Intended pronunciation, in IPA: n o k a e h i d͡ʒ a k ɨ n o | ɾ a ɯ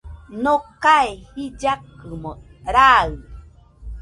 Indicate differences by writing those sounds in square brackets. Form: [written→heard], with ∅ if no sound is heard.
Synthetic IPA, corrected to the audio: n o k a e h i d͡ʒ a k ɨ [n→m] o | ɾ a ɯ

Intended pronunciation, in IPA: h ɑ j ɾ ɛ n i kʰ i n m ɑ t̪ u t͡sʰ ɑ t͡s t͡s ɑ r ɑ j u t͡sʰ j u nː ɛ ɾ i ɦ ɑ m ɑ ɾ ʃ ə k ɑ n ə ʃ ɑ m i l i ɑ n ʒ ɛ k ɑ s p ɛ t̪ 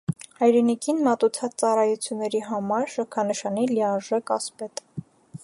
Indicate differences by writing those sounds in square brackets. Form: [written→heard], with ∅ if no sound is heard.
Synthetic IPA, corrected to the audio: h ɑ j ɾ ɛ n i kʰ i n m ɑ t̪ u t͡sʰ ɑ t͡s t͡s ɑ r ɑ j u t͡sʰ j u nː ɛ ɾ i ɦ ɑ m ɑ ɾ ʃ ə [k→kʰ] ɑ n ə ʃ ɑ [m→n] i l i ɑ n ʒ ɛ k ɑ s p ɛ t̪

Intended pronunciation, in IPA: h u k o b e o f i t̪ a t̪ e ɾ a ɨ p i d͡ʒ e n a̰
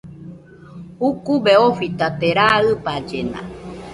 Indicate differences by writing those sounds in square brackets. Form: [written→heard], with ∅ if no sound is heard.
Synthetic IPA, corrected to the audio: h u k [o→u] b e o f i t̪ a t̪ e ɾ a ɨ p [i→a] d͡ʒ e n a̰

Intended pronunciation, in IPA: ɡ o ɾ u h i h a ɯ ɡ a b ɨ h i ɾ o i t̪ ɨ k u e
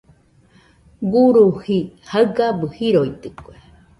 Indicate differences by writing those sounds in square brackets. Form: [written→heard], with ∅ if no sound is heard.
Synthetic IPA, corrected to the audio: ɡ [o→u] ɾ u h i h a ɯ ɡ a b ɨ h i ɾ o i t̪ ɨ k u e

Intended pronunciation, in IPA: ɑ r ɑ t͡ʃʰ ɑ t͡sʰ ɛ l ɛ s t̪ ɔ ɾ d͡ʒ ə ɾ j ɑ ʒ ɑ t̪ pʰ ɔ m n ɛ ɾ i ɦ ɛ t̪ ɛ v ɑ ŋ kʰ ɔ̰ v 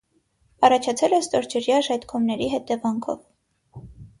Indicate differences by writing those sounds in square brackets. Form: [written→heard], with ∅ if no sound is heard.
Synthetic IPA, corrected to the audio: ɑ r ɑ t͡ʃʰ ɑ t͡sʰ ɛ l ɛ s t̪ ɔ ɾ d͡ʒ ə ɾ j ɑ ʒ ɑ t̪ [pʰ→kʰ] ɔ m n ɛ ɾ i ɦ ɛ t̪ ɛ v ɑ ŋ kʰ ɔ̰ v

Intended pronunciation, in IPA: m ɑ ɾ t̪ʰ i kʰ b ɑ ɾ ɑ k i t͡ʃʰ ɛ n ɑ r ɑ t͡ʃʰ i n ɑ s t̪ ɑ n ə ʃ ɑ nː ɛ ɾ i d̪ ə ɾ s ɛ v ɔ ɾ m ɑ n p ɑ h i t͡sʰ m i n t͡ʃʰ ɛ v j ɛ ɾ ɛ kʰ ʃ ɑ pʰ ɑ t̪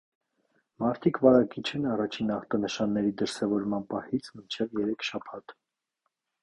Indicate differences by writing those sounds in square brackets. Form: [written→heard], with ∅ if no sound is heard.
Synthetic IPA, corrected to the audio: m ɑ ɾ t̪ʰ i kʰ [b→v] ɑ ɾ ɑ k i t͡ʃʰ ɛ n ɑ r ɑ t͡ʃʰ i n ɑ [s→χ] t̪ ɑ n ə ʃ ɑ nː ɛ ɾ i d̪ ə ɾ s ɛ v ɔ ɾ m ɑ n p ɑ h i t͡sʰ m i n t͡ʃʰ ɛ v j ɛ ɾ ɛ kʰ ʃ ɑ pʰ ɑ t̪

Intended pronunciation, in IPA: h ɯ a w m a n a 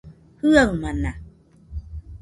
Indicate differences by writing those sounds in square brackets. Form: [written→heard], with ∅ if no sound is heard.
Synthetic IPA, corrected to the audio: h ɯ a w m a n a

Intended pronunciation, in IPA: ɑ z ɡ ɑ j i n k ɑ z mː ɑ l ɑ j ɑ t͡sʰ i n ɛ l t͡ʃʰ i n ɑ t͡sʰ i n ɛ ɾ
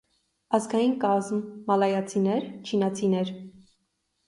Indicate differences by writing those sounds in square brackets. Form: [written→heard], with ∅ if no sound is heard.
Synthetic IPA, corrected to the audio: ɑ z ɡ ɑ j i n k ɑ z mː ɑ l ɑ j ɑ t͡sʰ i n ɛ [l→ɾ] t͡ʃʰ i n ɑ t͡sʰ i n ɛ ɾ

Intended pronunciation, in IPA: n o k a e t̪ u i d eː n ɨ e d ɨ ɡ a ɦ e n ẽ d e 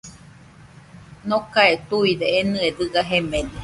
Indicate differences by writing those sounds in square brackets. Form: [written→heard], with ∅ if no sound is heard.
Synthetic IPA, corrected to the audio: n o k a e t̪ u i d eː n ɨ e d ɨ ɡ a ɦ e [n→m] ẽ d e

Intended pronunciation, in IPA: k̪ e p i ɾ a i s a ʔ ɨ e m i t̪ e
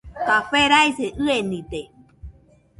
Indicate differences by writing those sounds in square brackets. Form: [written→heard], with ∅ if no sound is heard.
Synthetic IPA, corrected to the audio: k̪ [e→a] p [i→e] ɾ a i s [a→e] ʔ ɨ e [m→n] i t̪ e

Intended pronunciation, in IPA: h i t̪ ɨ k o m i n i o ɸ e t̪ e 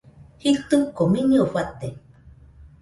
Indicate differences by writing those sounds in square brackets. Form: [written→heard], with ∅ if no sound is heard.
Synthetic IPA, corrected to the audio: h i t̪ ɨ k o m i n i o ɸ [e→a] t̪ e

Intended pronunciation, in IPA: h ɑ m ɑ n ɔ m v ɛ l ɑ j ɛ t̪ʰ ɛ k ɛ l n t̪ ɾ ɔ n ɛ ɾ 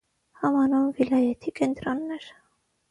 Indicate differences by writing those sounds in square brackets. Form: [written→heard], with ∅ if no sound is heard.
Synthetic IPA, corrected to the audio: h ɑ m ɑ n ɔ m v [ɛ→i] l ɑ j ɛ t̪ʰ [ɛ→i] k ɛ [l→∅] n t̪ ɾ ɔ [n→nː] ɛ ɾ

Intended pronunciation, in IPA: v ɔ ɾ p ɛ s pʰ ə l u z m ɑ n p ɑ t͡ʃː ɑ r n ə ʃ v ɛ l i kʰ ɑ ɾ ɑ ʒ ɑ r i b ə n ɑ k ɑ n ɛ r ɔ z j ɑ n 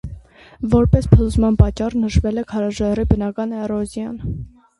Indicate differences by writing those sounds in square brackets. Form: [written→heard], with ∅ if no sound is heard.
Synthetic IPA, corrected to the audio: v ɔ ɾ p ɛ s pʰ ə l u z m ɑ n p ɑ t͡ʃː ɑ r n ə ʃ v ɛ l [i→ɛ] kʰ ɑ ɾ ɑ ʒ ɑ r i b ə n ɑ k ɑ n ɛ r ɔ z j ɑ n

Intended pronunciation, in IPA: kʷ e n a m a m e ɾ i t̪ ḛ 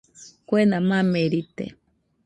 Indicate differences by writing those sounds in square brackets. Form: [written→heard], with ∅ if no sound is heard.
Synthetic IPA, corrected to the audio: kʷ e n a m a m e ɾ i t̪ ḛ

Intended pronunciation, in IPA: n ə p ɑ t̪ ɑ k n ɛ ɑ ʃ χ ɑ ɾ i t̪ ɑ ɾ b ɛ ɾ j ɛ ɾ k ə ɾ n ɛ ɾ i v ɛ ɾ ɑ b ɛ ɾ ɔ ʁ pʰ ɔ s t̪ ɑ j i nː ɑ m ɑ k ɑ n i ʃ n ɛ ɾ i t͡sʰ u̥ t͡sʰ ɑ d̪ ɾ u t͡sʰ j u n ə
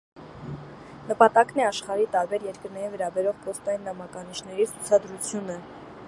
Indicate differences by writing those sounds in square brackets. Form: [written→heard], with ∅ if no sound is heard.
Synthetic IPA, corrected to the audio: n ə p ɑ t̪ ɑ k n ɛ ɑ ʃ χ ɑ ɾ i t̪ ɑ ɾ b ɛ ɾ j ɛ ɾ k ə ɾ n ɛ ɾ i v ɛ ɾ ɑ b ɛ ɾ ɔ ʁ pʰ ɔ s t̪ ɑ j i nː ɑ m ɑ k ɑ n i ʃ n ɛ ɾ i t͡sʰ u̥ t͡sʰ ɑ d̪ ɾ u t͡sʰ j u n ə

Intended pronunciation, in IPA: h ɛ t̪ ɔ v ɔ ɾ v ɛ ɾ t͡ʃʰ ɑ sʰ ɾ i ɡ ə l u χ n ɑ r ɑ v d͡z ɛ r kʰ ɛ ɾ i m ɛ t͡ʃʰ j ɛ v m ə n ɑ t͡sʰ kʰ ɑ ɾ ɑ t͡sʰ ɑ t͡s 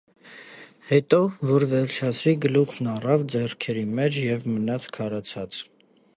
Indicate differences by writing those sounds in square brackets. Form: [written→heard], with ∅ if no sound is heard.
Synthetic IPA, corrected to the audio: h ɛ t̪ ɔ v ɔ ɾ v ɛ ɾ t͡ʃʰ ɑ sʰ ɾ i ɡ ə l u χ n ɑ r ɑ v d͡z ɛ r kʰ ɛ ɾ i m ɛ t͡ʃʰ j ɛ v m ə n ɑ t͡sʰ kʰ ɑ ɾ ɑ t͡sʰ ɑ t͡s

